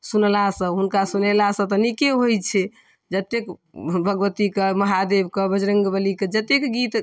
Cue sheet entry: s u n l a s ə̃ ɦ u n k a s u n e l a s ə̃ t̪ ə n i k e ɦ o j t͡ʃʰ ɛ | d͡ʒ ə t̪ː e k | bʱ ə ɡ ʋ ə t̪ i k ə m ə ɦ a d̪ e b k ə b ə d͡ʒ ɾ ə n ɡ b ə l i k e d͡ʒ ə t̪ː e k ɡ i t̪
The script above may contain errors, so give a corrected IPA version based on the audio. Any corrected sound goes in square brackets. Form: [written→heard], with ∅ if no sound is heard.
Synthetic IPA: s u n l a s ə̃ ɦ u n k a s u n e l a s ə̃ t̪ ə n i k e ɦ o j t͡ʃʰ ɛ | d͡ʒ ə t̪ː e k | bʱ ə ɡ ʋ ə t̪ i k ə m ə ɦ a d̪ e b k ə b ə d͡ʒ ɾ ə [n→ŋ] ɡ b ə l i k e d͡ʒ ə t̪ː e k ɡ i t̪